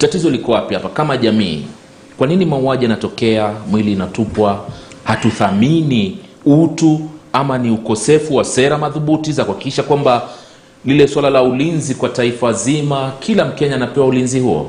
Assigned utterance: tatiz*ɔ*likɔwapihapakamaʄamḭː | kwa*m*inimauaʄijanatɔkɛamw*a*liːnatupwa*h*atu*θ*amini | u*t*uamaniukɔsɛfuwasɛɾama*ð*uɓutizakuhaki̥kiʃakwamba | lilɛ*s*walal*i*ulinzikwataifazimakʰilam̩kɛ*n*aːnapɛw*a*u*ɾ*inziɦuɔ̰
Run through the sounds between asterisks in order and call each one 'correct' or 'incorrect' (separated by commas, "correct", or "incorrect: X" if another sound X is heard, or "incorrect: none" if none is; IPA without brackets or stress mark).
correct, incorrect: n, incorrect: i, correct, correct, correct, correct, correct, incorrect: a, incorrect: ɲ, correct, incorrect: l